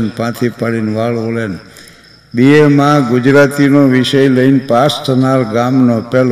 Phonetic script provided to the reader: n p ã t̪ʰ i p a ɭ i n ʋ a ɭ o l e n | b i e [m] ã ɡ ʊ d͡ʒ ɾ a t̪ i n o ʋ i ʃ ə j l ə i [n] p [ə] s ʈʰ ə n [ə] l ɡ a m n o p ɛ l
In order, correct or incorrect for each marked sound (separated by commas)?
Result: correct, correct, incorrect, incorrect